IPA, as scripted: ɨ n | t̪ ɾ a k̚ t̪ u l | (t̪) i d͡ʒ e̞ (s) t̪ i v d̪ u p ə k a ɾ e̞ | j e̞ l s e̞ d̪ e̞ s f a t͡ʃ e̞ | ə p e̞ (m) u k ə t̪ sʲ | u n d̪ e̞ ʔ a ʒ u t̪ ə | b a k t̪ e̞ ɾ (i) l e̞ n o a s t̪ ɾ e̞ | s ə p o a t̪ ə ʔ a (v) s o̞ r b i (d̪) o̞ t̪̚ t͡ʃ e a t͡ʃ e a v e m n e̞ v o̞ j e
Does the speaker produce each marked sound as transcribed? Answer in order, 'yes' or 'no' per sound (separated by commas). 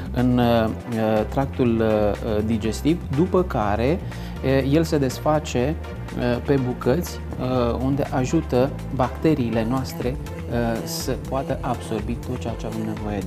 no, yes, no, no, no, no